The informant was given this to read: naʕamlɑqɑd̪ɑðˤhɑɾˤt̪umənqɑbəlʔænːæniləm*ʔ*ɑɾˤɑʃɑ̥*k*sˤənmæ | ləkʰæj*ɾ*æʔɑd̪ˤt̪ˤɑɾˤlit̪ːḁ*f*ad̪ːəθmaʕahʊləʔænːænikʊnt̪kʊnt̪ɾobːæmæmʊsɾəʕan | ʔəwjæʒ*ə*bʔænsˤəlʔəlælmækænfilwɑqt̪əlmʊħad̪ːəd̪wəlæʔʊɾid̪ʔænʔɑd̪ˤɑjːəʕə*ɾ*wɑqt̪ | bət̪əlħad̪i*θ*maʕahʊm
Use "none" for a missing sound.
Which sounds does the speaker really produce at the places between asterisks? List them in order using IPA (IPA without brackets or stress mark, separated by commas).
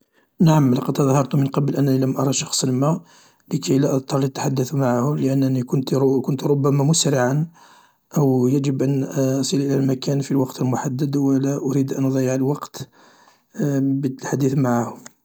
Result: ʔ, x, l, ħ, ə, l, θ